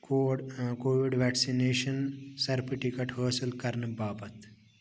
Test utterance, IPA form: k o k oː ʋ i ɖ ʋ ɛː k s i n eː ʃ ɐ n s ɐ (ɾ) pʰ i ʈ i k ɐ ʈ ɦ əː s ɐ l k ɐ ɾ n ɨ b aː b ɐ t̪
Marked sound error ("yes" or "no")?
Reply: no